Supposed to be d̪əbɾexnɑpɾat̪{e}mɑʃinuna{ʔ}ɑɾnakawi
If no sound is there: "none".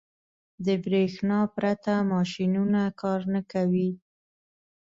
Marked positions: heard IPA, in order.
a, k

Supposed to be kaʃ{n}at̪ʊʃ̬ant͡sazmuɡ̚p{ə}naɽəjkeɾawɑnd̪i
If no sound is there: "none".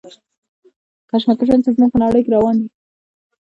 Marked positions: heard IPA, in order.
m, ə

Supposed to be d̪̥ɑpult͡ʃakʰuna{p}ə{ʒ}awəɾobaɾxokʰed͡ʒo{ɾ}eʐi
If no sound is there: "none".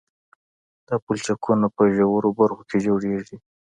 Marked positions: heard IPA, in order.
p, ʒ, ɽ

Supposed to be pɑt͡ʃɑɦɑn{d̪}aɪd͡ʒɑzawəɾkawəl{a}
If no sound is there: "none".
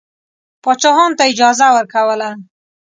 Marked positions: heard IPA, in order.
t̪, a

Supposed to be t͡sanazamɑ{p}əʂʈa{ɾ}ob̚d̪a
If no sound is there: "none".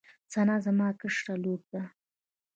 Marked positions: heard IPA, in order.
k, l

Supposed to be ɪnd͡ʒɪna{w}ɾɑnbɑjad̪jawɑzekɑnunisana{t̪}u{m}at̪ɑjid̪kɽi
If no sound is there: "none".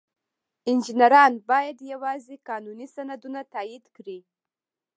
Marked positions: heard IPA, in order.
none, d̪, n

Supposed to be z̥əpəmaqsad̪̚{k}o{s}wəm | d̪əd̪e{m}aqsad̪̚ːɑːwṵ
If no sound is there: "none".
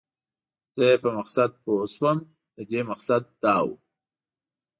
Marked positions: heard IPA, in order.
p, s, m

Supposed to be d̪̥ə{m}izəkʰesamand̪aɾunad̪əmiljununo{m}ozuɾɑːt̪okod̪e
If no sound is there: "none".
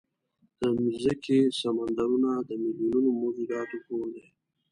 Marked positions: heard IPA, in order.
m, m

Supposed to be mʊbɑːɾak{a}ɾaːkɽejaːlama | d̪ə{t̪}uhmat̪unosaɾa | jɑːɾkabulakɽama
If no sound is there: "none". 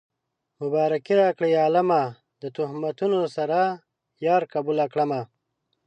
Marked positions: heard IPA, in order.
i, t̪

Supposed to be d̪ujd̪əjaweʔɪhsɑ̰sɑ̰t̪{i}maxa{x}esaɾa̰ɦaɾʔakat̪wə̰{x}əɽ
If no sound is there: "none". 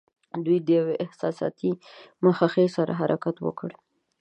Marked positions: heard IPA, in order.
i, x, k

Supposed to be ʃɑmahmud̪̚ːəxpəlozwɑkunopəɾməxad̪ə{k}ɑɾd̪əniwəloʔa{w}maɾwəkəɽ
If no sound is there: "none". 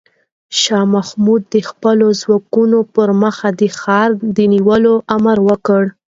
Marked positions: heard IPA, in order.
x, none

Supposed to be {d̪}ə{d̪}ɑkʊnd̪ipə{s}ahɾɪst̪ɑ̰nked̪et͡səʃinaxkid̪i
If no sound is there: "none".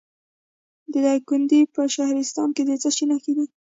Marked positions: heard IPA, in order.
d̪, d̪, ʃ

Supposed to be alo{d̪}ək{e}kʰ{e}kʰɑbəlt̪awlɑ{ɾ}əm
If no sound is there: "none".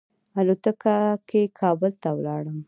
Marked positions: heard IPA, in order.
t̪, a, e, ɽ

